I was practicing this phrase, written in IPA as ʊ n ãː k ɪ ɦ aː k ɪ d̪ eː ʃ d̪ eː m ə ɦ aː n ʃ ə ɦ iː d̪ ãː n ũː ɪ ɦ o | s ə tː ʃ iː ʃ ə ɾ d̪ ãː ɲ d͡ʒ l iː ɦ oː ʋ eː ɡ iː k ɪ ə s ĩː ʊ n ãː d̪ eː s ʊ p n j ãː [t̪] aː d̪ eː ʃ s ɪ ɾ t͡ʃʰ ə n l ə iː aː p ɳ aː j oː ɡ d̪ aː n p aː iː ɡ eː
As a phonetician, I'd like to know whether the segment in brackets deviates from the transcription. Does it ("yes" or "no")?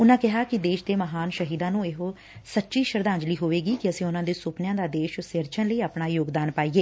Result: yes